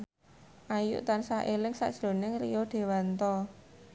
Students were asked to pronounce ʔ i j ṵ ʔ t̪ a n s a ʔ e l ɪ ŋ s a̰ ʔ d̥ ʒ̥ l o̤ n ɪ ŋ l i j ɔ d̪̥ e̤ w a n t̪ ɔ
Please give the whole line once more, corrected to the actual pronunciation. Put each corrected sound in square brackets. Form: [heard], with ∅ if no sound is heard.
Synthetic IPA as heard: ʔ [a] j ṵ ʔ t̪ a n s a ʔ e l ɪ ŋ s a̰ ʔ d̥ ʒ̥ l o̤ n ɪ ŋ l i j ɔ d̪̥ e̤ w a n t̪ ɔ